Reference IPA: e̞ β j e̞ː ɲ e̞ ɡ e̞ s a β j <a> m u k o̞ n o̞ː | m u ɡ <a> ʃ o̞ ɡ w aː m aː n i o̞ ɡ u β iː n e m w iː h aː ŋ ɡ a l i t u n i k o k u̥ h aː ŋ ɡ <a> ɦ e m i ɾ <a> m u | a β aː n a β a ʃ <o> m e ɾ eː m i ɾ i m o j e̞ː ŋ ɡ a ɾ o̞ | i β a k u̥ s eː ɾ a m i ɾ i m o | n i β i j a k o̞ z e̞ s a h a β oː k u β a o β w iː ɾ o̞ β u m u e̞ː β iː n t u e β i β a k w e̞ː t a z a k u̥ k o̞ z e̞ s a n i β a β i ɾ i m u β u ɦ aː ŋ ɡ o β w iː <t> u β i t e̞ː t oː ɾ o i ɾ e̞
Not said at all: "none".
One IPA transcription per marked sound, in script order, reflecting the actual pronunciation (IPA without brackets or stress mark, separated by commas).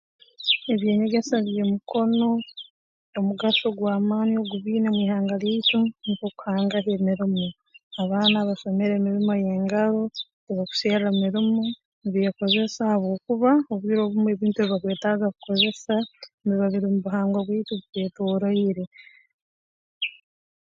e, a, a, i, o, t